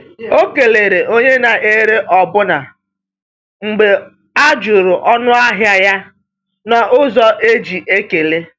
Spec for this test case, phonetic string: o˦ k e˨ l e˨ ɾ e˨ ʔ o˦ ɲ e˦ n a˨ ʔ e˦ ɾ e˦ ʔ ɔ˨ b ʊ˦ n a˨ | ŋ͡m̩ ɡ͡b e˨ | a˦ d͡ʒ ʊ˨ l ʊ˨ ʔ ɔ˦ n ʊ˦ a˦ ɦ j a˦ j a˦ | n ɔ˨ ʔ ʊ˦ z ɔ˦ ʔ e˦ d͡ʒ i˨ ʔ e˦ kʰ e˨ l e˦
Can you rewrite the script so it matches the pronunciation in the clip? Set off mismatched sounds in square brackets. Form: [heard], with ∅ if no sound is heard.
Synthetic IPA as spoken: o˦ k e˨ l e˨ ɾ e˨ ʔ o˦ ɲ e˦ n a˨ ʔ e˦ ɾ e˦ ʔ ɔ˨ b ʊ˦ n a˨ | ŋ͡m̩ ɡ͡b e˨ | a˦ d͡ʒ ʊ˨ [ɾ] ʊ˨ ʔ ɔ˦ n ʊ˦ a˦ ɦ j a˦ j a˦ | n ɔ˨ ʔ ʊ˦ z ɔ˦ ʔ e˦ d͡ʒ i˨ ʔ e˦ [k] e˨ l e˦